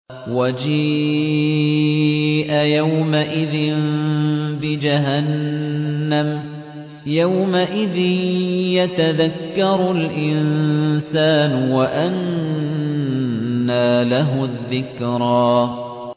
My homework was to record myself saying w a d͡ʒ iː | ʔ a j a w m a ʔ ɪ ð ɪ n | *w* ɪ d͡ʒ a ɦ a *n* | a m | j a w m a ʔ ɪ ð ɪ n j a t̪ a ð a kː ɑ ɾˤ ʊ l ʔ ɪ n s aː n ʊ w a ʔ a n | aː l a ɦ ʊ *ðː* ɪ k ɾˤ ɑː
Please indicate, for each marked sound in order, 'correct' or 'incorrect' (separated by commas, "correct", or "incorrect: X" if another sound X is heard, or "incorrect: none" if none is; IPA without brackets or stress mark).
incorrect: b, incorrect: nː, correct